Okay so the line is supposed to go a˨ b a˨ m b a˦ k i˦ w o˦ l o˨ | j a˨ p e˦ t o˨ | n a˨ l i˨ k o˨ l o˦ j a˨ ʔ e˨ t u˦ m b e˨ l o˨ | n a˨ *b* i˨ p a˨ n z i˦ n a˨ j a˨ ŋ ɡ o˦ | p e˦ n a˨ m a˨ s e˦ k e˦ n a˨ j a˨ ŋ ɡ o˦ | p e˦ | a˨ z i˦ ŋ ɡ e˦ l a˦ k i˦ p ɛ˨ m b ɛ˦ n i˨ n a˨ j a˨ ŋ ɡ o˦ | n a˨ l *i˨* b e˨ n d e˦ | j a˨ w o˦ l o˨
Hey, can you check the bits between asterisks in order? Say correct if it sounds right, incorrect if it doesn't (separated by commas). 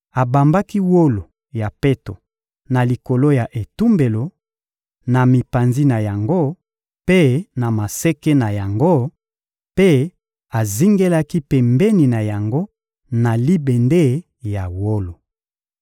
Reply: incorrect, incorrect